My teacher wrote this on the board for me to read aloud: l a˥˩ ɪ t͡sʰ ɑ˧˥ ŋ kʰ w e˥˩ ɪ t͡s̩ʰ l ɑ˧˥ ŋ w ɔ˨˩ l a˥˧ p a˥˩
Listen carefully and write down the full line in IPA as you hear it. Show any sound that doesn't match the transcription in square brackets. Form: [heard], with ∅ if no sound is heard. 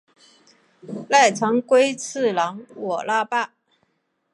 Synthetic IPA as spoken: l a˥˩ ɪ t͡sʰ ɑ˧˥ ŋ [k] w [e˥] ɪ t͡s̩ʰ l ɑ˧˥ ŋ w ɔ˨˩ l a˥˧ p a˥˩